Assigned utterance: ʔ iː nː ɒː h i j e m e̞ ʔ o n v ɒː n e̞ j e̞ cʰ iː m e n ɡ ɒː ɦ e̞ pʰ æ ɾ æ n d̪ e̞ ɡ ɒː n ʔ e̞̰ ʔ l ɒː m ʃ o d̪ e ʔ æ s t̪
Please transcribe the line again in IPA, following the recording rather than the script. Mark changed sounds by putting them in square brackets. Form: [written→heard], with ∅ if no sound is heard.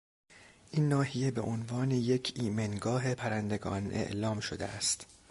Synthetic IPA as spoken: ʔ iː nː ɒː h i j e [m→b] e̞ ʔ o n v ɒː n e̞ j e̞ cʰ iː m e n ɡ ɒː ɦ e̞ pʰ æ ɾ æ n d̪ e̞ ɡ ɒː n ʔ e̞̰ ʔ l ɒː m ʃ o d̪ e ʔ æ s t̪